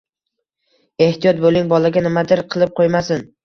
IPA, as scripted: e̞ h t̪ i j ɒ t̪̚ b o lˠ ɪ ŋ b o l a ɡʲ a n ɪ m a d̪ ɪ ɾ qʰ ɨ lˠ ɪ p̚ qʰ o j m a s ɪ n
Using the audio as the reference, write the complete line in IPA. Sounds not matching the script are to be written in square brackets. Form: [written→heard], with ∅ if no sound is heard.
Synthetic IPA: e̞ h t̪ i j ɒ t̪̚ b o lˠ ɪ ŋ b [o→ɒ] l a ɡʲ a n ɪ m a d̪ ɪ ɾ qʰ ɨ lˠ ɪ p̚ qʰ o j m a s ɪ n